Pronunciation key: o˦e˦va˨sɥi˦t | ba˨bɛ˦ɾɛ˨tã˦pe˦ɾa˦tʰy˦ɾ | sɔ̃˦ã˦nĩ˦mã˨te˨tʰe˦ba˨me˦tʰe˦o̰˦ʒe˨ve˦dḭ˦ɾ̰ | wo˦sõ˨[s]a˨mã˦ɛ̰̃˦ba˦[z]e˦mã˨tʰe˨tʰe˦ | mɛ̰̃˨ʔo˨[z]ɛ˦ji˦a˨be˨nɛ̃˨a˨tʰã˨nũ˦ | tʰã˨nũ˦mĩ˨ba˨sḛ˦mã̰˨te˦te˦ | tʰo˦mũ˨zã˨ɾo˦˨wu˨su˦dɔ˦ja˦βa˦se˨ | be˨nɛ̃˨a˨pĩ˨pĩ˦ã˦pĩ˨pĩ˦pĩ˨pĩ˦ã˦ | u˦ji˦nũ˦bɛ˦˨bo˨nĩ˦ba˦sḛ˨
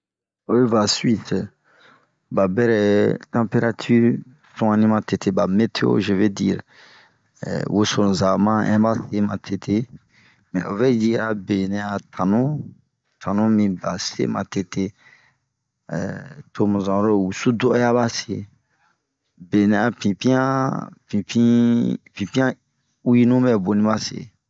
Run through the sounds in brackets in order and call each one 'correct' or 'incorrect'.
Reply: incorrect, incorrect, incorrect

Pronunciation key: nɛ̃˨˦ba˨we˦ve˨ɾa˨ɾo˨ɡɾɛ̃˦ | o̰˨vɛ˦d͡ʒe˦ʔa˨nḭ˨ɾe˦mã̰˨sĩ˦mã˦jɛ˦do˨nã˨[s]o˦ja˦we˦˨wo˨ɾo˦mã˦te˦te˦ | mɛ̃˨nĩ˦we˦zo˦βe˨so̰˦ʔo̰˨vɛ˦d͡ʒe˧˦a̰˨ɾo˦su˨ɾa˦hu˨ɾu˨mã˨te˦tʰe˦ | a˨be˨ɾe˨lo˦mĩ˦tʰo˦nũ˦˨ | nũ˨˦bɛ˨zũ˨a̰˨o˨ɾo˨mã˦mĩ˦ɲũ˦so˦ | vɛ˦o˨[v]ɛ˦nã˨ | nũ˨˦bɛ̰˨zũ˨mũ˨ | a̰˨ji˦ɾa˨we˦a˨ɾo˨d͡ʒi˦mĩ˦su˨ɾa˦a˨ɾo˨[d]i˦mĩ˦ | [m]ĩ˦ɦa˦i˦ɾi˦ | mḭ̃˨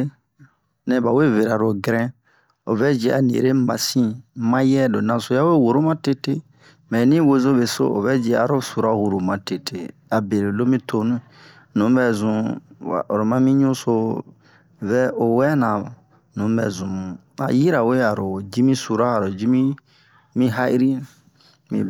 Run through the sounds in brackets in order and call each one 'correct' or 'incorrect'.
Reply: correct, incorrect, incorrect, correct

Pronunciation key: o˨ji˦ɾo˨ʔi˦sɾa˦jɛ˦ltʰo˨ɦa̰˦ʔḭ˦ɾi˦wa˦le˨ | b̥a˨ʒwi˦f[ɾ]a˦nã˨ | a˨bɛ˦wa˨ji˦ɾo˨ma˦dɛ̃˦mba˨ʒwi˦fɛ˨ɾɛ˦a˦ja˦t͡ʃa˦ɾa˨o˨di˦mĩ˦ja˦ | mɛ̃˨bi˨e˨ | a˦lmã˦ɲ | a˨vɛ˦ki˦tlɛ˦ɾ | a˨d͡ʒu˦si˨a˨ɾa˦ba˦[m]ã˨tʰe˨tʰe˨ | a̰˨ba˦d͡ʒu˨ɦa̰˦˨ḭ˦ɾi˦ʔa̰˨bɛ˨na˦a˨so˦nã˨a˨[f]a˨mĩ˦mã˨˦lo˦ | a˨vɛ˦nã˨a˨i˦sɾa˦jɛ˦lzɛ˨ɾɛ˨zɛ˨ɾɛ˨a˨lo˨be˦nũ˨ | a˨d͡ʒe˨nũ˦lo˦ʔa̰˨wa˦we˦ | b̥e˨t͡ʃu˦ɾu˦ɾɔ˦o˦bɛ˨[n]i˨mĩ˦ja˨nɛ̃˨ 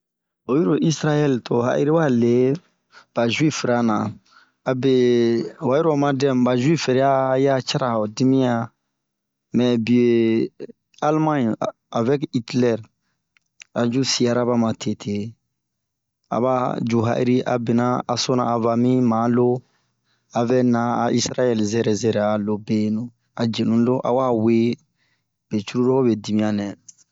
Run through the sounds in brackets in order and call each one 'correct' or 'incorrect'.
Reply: correct, correct, incorrect, incorrect

